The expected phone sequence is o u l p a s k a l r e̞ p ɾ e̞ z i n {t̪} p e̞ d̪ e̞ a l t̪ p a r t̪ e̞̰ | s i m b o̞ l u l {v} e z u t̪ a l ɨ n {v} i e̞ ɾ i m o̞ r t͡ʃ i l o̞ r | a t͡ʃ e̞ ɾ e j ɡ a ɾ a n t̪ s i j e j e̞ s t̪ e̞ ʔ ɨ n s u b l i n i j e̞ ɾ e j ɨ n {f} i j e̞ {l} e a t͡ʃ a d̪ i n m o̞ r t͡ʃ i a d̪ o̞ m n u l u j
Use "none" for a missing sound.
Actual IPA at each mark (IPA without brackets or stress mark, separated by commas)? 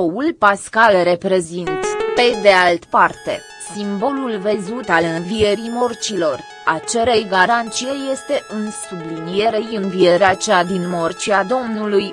t̪, v, v, v, ɾ